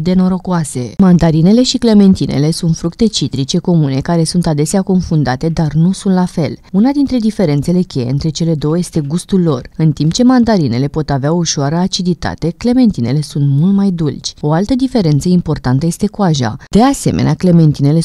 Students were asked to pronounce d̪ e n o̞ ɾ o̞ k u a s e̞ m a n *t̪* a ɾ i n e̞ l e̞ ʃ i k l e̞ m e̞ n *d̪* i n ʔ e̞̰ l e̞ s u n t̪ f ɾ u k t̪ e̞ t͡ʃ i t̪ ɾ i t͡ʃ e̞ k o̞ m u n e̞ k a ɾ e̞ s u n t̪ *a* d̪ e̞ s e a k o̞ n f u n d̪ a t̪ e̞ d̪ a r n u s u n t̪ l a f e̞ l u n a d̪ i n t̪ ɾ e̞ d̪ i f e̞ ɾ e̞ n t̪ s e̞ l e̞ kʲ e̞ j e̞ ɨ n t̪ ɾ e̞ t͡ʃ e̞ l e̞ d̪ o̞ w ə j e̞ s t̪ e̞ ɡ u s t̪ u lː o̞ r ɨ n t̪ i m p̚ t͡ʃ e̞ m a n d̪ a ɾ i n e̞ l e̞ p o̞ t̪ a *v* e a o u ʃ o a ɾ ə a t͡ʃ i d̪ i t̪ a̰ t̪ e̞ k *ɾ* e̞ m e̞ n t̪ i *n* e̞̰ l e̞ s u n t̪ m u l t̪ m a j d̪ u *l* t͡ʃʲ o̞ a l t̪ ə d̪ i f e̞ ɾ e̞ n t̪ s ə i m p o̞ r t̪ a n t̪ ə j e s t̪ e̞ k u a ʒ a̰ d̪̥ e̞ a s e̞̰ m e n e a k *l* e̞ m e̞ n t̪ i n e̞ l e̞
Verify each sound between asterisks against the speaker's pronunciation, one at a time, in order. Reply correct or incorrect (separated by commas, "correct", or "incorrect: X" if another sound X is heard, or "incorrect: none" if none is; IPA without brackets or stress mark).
incorrect: d̪, incorrect: t̪, correct, correct, incorrect: l, correct, correct, correct